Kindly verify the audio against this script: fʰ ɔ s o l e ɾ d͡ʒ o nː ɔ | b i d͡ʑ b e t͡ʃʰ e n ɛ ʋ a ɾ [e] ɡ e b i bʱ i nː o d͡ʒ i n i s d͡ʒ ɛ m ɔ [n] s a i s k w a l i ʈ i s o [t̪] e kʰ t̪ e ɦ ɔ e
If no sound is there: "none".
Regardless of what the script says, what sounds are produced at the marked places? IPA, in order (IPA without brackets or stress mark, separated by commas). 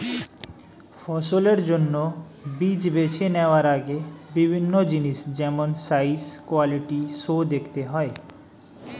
a, n, d̪